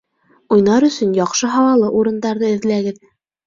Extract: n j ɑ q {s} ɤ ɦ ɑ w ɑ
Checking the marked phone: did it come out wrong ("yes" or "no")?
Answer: yes